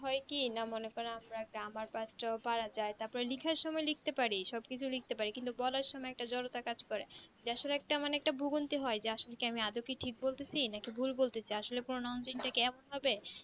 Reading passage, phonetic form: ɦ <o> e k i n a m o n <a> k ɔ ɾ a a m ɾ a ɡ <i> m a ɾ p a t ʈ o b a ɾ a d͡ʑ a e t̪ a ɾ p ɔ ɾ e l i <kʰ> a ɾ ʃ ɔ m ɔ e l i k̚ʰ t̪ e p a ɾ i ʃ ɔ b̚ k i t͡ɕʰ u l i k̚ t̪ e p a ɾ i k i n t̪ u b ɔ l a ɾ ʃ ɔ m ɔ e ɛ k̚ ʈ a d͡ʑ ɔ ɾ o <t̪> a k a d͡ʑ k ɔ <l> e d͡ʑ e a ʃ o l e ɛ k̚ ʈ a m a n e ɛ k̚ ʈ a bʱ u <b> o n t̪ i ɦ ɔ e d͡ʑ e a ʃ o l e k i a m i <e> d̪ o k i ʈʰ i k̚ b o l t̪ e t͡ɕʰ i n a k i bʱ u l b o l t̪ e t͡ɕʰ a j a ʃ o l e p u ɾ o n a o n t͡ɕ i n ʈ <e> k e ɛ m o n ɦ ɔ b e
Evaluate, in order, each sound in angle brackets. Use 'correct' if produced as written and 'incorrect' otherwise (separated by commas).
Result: incorrect, incorrect, incorrect, correct, correct, incorrect, incorrect, incorrect, incorrect